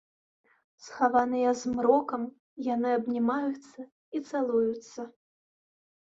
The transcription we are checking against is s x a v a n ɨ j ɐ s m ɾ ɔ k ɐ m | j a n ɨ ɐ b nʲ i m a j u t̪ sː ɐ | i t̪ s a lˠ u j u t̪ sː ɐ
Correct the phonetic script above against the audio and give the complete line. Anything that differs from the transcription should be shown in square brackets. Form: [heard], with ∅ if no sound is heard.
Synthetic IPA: s x a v a n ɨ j ɐ [z] m ɾ ɔ k ɐ m | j a n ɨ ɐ b nʲ i m a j u t̪ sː ɐ | i t̪ s a lˠ u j u t̪ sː ɐ